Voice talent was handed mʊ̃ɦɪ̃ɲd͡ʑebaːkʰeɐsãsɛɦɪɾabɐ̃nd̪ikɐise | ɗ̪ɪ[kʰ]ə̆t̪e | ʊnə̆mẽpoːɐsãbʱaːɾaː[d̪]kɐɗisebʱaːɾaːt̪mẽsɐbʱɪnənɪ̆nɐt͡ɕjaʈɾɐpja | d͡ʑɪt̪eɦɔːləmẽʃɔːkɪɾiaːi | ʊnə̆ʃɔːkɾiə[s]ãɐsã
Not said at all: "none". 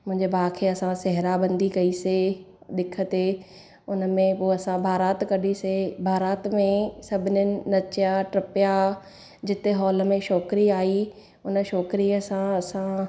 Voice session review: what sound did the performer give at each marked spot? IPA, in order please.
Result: kʰ, t̪, s

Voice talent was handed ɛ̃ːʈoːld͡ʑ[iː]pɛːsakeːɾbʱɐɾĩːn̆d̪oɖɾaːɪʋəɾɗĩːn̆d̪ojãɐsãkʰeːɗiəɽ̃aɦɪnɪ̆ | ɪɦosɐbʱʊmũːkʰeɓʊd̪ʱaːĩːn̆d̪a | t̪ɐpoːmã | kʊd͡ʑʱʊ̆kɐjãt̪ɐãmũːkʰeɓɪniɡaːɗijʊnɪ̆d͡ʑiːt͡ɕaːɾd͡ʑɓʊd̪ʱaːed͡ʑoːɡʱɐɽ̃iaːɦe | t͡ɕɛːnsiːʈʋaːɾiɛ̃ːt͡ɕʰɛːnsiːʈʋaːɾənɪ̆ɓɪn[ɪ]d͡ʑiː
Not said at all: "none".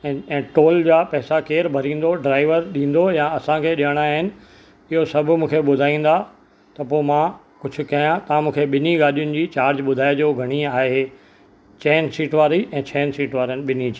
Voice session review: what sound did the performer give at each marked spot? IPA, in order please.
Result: aː, i

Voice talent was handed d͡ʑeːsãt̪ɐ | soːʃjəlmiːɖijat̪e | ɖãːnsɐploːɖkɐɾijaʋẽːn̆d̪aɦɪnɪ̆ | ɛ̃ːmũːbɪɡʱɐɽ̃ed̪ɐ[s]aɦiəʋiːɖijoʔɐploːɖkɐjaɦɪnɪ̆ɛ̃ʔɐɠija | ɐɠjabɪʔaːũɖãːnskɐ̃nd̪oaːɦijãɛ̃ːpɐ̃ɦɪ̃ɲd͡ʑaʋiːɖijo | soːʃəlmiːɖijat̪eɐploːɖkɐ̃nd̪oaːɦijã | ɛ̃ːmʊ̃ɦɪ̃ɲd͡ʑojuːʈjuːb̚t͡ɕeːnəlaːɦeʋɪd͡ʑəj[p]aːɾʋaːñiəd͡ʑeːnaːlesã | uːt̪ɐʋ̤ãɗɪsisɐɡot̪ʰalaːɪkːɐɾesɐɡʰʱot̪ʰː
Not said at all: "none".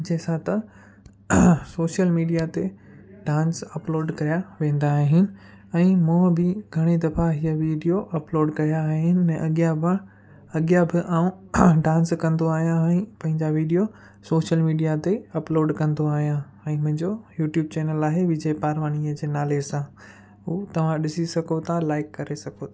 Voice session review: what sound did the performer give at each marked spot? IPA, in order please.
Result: f, p

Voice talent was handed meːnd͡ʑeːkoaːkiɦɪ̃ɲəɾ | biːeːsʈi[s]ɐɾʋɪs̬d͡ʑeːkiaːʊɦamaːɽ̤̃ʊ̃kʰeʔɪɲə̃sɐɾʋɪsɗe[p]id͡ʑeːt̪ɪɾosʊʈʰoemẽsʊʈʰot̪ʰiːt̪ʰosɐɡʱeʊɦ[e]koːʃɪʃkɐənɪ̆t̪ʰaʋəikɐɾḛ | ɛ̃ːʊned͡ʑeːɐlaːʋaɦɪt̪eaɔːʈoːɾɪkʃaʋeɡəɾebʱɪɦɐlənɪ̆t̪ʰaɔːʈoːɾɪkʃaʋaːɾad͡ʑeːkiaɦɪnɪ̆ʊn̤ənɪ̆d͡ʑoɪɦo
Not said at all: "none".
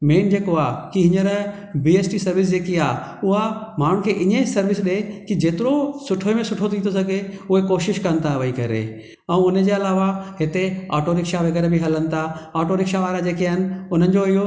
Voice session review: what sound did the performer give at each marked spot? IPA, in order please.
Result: s, k, e

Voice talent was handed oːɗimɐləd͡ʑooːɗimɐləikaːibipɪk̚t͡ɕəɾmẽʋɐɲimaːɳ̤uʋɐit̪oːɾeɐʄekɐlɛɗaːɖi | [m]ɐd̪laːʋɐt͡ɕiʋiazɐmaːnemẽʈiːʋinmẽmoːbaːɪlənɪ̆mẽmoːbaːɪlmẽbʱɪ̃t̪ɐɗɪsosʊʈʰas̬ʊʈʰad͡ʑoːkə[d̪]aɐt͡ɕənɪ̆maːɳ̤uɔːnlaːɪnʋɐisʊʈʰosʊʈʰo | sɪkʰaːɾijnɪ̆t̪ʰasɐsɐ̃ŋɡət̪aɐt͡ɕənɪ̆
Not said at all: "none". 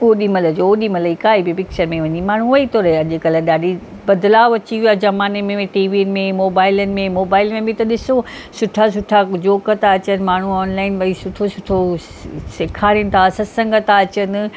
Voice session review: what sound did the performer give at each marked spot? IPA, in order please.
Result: b, t̪

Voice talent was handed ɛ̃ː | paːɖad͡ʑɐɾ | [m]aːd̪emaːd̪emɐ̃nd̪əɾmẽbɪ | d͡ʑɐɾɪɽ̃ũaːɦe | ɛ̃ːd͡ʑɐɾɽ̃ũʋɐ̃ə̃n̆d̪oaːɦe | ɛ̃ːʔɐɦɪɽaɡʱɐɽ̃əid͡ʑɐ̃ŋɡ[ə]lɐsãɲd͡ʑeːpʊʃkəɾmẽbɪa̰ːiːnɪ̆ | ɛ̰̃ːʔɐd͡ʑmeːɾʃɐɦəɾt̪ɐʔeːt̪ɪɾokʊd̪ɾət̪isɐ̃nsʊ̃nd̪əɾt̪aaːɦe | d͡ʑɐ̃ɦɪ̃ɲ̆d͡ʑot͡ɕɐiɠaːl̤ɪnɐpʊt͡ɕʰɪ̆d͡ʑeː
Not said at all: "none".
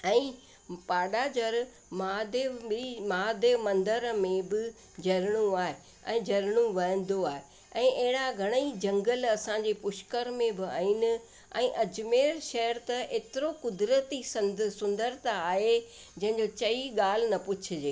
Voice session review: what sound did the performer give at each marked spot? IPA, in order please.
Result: m, ə

